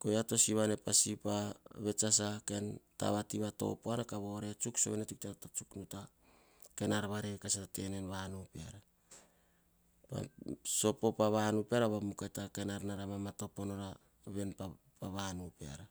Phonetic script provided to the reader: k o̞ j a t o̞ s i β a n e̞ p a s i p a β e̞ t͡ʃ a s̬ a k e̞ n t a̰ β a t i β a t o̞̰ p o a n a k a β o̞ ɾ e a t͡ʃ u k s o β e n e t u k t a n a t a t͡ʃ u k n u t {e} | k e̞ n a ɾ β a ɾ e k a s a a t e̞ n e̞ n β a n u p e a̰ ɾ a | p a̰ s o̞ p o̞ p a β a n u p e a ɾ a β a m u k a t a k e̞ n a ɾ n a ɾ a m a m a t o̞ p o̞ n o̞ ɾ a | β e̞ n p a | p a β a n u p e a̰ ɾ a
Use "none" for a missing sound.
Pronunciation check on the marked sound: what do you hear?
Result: a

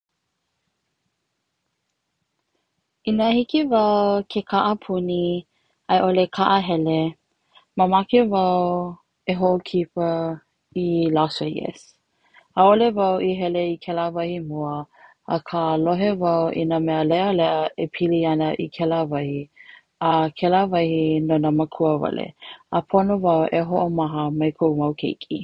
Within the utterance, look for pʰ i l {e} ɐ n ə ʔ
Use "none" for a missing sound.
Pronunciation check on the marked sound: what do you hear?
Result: i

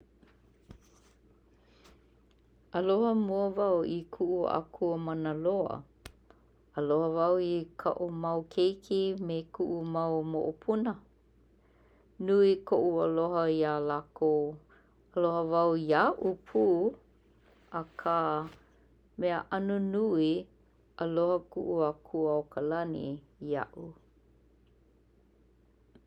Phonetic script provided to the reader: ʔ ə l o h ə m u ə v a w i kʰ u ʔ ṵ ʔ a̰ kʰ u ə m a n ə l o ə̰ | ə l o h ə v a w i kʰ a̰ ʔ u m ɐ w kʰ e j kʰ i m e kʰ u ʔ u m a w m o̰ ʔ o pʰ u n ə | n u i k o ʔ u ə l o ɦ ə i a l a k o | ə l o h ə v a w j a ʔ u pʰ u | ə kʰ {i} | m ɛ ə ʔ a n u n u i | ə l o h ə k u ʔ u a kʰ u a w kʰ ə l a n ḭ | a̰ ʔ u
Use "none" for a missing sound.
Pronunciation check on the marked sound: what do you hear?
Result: a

